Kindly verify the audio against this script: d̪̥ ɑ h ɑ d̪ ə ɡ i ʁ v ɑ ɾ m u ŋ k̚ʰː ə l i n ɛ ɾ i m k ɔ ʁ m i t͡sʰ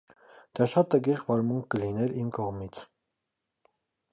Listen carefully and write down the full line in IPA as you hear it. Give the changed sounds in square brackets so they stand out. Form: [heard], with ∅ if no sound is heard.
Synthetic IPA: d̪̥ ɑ [ʃ] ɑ [t̪] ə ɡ i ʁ v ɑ ɾ m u ŋ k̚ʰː ə l i n ɛ ɾ i m k ɔ ʁ m i t͡sʰ